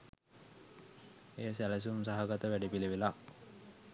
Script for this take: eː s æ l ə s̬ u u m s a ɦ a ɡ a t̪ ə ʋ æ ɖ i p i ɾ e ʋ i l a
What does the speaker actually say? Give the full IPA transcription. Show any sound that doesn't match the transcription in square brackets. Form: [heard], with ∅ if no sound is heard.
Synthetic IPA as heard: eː s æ l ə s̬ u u m s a ɦ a ɡ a t̪ ə ʋ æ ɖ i p i [l] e ʋ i l a

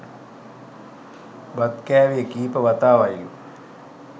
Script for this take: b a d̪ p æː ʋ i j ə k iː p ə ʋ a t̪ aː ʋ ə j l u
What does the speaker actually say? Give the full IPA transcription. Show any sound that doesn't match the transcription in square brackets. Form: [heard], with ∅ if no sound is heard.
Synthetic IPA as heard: b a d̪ [k] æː ʋ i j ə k iː p ə ʋ a t̪ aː ʋ [a] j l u

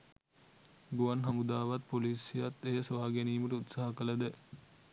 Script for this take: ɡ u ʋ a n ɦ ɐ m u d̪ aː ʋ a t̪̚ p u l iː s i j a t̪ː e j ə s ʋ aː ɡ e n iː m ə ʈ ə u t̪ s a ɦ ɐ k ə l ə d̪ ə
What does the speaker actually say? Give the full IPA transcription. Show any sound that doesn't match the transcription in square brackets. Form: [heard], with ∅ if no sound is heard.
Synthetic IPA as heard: ɡ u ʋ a n ɦ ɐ m u d̪ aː ʋ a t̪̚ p [o] l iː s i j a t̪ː e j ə s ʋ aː ɡ e n iː m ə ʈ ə u t̪ s a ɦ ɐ k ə l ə d̪ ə

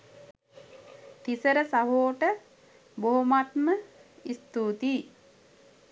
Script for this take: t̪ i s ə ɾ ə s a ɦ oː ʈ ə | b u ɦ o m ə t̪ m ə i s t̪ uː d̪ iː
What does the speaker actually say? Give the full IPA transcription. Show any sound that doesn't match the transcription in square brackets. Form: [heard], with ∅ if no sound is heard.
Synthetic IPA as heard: t̪ i s ə ɾ ə s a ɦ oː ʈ ə | b [o] ɦ o m [a] t̪ m ə i s t̪ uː [t̪] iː

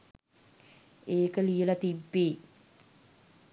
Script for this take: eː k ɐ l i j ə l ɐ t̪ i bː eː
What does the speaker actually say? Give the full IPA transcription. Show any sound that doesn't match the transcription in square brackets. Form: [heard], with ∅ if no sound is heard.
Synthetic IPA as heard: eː k [ə] l i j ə l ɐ t̪ i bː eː

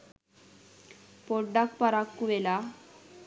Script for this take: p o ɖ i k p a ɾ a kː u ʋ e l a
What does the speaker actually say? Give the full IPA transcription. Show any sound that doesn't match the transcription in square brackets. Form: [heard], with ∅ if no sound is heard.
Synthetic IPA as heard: p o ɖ [a] k p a ɾ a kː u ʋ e l a

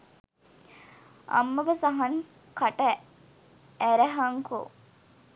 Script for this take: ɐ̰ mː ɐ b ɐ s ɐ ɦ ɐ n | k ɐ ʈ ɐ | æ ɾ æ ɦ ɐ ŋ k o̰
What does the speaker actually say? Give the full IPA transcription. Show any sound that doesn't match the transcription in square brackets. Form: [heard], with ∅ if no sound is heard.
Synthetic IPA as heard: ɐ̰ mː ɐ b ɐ s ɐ ɦ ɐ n | k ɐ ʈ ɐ | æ ɾ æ ɦ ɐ ŋ k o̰

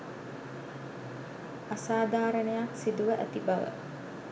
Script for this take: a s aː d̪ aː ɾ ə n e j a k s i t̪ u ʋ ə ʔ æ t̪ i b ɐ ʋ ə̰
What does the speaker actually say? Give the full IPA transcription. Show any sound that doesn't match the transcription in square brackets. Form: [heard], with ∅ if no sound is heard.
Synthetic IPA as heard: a s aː d̪ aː ɾ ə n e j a k s i [d̪] u ʋ ə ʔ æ t̪ i b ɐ ʋ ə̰

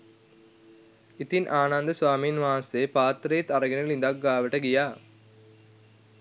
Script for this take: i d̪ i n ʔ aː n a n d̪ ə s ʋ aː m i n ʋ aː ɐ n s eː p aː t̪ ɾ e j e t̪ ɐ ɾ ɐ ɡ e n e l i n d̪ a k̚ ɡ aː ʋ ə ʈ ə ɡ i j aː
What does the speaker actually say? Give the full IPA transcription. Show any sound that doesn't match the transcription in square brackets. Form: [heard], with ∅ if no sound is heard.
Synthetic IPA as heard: i [t̪] i n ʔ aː n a n d̪ ə s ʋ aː m i n ʋ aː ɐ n s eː p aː t̪ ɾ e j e t̪ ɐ ɾ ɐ ɡ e n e l i n d̪ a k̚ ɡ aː ʋ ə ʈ ə ɡ i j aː

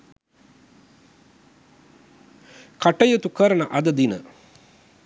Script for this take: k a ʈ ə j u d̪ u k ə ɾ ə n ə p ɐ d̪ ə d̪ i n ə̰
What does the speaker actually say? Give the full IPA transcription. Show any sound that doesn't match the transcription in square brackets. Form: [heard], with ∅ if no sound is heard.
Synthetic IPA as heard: k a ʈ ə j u [t̪] u k ə ɾ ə n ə [ʔ] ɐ d̪ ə d̪ i n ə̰

